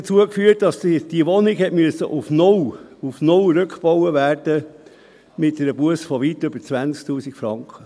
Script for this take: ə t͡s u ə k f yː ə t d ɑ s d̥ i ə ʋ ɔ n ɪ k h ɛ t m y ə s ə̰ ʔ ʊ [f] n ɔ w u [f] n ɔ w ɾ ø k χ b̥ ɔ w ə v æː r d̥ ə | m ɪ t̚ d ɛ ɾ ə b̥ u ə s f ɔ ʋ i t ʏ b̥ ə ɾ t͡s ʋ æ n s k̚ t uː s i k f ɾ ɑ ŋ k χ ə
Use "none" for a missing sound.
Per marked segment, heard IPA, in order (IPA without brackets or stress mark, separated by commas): f, f